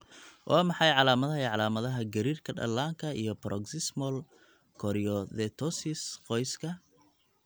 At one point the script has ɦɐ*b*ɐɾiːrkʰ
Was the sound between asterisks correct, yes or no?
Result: no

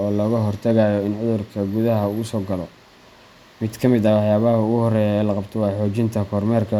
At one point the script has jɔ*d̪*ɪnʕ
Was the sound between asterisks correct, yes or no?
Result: no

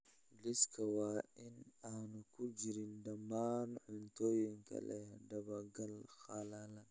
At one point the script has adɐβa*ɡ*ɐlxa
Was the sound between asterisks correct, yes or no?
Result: yes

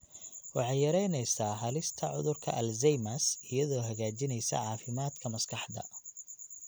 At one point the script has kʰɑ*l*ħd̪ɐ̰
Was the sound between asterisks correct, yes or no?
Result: no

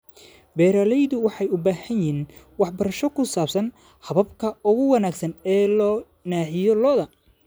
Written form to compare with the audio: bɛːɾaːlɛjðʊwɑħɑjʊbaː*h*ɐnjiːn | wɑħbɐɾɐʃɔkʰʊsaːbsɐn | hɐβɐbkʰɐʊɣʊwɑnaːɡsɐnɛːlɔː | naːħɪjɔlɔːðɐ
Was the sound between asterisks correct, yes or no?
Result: yes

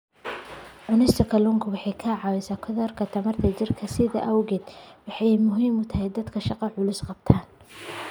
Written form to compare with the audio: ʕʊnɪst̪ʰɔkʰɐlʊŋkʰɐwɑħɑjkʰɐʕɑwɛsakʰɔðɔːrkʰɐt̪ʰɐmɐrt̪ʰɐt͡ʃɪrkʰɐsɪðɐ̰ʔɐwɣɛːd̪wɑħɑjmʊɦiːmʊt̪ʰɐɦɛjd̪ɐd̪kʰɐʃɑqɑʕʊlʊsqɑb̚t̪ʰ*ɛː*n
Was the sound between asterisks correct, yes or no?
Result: no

